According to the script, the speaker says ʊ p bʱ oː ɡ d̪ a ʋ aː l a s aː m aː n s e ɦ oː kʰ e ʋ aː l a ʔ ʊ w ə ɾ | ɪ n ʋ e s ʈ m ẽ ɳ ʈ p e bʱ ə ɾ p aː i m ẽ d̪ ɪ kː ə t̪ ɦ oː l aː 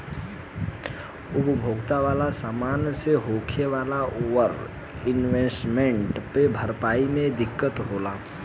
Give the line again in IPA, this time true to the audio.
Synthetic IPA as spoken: ʊ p bʱ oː ɡ t̪ a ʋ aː l a s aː m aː n s e ɦ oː kʰ e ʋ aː l a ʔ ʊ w ə ɾ | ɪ n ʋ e s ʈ m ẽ ɳ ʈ p e bʱ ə ɾ p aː i m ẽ d̪ ɪ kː ə t̪ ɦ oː l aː